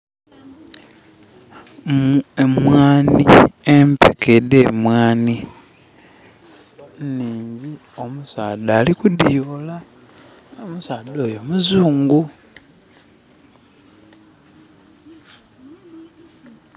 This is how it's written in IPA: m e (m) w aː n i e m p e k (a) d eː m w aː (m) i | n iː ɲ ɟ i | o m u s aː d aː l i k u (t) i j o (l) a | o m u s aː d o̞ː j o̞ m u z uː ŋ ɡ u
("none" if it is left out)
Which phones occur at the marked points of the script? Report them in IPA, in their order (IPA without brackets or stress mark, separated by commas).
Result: m, e, n, d, l